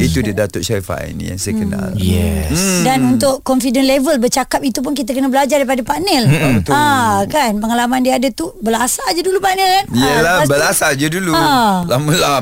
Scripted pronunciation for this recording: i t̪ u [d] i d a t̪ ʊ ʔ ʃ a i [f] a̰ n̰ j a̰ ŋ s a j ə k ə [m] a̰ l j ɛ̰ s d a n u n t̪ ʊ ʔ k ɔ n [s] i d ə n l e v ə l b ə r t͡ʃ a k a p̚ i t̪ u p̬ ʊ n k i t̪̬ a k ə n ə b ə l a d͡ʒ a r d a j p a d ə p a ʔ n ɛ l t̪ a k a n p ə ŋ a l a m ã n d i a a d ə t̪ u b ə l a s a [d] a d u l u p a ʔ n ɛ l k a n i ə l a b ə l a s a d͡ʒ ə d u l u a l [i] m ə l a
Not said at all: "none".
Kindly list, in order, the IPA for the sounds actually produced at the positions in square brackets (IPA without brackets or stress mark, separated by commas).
d, f, n, f, d͡ʒ, a